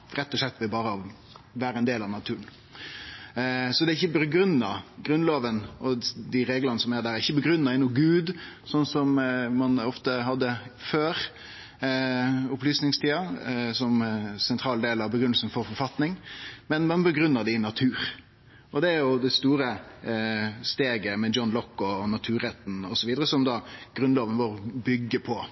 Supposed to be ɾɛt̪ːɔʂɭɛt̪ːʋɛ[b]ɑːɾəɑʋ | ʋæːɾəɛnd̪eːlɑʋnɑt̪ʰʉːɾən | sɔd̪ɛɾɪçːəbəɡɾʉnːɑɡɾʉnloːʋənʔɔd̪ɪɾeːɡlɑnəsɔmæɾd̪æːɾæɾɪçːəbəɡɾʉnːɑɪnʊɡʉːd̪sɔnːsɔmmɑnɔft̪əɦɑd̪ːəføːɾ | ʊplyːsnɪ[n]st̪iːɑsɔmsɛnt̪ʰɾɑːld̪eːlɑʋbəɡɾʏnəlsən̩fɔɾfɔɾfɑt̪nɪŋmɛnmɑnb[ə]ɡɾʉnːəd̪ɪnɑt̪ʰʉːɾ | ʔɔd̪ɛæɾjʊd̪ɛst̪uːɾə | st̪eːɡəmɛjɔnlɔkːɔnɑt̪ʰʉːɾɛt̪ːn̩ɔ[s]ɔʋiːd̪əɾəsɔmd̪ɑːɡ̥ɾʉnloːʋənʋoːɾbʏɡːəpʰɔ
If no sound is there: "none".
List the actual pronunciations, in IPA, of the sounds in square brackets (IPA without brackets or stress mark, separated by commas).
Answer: b, ŋ, ə, s